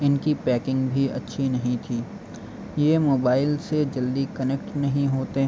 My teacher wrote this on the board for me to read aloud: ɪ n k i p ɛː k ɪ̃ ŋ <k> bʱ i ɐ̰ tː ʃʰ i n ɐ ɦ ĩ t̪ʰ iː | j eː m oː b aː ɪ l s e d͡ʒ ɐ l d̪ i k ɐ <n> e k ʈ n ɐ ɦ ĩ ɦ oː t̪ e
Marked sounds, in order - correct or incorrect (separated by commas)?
incorrect, correct